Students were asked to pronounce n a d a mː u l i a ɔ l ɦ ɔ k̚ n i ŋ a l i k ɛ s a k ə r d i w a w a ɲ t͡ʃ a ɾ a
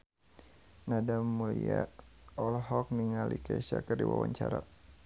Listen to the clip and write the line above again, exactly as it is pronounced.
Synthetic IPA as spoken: n a d a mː u l i a ɔ l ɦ ɔ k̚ n i ŋ a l i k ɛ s a k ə r d i w a w a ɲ t͡ʃ a ɾ a